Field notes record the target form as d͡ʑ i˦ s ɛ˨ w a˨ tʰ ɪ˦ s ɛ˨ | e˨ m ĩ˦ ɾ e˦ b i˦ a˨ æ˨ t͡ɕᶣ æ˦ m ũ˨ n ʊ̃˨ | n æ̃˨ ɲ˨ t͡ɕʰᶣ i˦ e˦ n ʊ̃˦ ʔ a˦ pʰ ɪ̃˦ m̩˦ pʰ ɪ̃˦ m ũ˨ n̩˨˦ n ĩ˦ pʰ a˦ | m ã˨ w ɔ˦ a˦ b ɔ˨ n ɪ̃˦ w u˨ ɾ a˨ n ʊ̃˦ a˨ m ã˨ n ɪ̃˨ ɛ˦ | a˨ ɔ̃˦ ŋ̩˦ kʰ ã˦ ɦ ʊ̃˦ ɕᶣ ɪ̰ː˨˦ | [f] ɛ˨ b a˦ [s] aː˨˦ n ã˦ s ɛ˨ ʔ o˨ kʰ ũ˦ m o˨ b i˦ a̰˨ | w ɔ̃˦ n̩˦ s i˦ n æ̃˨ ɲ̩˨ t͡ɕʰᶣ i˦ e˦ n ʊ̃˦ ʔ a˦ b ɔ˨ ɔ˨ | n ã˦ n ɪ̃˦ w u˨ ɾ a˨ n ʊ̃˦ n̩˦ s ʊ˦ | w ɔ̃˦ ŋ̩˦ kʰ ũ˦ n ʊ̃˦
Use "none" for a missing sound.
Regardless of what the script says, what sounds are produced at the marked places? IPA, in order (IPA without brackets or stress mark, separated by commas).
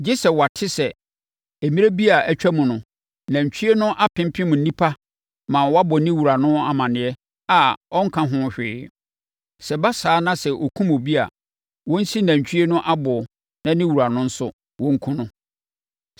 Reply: s, s